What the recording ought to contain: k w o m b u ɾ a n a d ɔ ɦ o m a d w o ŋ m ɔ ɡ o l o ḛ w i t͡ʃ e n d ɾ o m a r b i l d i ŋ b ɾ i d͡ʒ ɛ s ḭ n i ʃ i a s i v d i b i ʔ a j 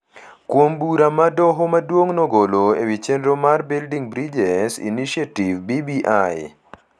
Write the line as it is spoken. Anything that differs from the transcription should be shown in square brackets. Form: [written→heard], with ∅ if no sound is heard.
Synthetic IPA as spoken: k w o m b u ɾ a [n→m] a d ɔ ɦ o m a d w o ŋ [m→n] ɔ ɡ o l o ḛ w i t͡ʃ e n d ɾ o m a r b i l d i ŋ b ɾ i d͡ʒ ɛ s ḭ n i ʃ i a [s→t] i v [d→b] i b i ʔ a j